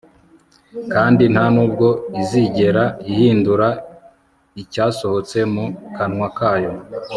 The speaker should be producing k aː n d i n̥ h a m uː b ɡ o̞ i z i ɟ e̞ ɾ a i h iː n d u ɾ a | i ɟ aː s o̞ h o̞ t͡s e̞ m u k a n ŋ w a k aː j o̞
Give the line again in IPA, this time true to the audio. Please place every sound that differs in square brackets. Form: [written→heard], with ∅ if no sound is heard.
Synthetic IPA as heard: k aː n d i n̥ h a [m→n] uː b ɡ o̞ i z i ɟ e̞ ɾ a i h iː n d u ɾ a | i [ɟ→c] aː s o̞ h o̞ t͡s e̞ m u k a n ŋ w a k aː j o̞